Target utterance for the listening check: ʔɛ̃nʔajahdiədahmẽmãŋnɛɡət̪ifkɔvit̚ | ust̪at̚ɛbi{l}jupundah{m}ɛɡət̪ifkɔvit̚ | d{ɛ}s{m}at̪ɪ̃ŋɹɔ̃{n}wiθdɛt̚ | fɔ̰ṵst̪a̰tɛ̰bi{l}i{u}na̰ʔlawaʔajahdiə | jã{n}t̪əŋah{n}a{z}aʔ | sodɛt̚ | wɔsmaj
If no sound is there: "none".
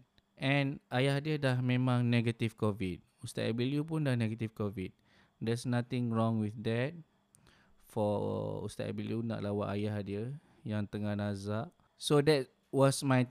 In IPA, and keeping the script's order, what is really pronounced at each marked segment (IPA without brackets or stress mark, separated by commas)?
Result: l, n, ɛ, n, ŋ, l, u, ŋ, n, z